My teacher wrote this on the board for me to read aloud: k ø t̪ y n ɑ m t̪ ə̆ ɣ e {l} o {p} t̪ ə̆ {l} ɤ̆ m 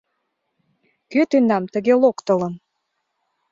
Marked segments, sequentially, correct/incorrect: correct, incorrect: k, correct

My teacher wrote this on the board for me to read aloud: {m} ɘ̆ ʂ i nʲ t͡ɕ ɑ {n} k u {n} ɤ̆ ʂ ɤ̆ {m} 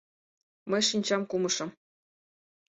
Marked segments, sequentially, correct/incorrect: correct, incorrect: m, incorrect: m, correct

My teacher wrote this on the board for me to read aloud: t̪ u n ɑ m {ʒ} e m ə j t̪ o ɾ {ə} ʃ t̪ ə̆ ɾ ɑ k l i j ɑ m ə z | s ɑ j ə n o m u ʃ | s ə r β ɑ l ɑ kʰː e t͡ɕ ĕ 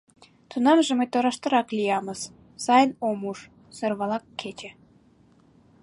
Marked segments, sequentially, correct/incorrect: correct, incorrect: ɑ

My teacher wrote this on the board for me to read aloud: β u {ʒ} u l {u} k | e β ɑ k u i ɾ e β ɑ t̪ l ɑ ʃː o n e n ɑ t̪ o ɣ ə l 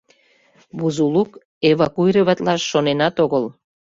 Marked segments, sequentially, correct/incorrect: incorrect: z, correct

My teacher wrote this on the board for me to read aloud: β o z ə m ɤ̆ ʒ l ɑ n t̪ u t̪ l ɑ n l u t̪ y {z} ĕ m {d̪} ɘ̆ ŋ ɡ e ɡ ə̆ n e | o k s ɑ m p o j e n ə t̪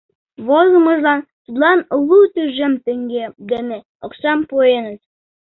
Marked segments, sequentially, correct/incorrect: incorrect: ʒ, incorrect: t̪

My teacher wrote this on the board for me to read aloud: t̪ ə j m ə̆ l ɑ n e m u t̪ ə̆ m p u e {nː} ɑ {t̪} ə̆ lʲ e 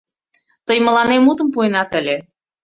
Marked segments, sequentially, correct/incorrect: incorrect: n, correct

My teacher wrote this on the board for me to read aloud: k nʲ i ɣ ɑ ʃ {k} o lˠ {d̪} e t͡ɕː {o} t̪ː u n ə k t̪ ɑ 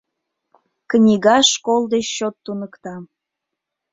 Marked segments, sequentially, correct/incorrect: correct, correct, correct

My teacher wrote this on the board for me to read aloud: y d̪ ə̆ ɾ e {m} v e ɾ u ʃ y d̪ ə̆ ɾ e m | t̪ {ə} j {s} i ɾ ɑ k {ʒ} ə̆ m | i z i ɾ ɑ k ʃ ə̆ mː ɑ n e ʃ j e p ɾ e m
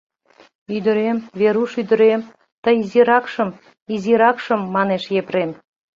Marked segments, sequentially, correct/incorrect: correct, correct, incorrect: z, incorrect: ʃ

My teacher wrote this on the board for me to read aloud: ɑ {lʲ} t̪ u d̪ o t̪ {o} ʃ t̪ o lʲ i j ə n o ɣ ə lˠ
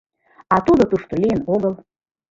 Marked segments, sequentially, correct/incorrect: incorrect: none, incorrect: u

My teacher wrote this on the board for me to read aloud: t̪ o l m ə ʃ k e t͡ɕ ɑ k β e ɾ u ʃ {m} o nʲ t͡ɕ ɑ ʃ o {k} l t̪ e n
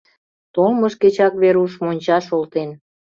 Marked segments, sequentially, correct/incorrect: correct, incorrect: none

